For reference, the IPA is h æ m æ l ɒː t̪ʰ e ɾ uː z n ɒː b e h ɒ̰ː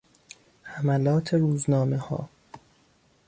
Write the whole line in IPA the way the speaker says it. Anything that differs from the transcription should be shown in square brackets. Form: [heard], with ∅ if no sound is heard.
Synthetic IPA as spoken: h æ m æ l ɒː t̪ʰ e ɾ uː z n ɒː [m] e h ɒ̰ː